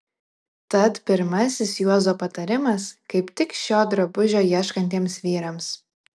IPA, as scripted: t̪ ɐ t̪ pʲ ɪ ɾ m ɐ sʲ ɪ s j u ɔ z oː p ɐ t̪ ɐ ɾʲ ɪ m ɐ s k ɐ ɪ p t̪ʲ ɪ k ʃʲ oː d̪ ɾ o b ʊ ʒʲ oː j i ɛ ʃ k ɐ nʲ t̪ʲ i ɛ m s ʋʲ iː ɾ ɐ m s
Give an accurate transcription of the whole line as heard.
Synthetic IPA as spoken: t̪ ɐ t̪ pʲ ɪ ɾ m ɐ sʲ ɪ s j u ɔ z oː p ɐ t̪ ɐ ɾʲ ɪ m ɐ s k ɐ ɪ p t̪ʲ ɪ k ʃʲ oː d̪ ɾ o b ʊ ʒʲ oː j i ɛ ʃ k ɐ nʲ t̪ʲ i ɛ m s ʋʲ iː ɾ ɐ m s